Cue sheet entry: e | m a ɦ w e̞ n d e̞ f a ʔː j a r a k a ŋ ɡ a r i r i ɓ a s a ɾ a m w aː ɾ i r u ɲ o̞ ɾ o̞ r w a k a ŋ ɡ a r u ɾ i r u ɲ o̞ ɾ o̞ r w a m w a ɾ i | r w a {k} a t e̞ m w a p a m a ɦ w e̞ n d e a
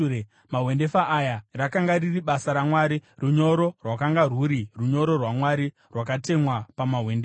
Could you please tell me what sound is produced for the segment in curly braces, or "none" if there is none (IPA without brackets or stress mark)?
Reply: k